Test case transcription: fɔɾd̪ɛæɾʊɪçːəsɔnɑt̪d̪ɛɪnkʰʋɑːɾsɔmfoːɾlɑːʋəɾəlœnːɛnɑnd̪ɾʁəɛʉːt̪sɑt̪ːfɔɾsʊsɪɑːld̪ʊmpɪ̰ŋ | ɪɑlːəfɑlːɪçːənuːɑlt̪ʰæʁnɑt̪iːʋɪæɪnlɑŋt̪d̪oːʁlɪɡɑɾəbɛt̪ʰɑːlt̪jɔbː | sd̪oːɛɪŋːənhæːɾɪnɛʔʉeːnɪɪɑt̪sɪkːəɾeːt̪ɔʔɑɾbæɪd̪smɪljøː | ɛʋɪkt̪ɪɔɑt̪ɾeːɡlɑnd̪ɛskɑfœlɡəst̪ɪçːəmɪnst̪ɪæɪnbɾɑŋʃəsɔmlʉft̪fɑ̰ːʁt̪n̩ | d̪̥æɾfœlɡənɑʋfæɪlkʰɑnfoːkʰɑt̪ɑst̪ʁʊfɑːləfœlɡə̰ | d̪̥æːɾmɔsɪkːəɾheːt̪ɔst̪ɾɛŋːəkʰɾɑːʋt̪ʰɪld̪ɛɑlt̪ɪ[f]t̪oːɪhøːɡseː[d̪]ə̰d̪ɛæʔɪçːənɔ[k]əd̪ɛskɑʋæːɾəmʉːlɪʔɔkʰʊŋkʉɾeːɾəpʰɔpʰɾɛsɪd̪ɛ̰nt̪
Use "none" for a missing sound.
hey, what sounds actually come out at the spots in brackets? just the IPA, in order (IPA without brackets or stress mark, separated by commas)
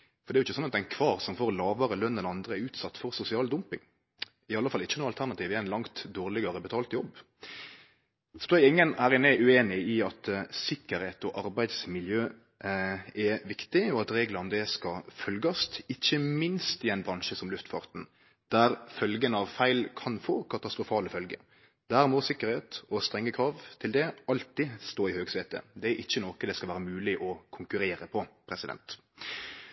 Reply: s, t̪, k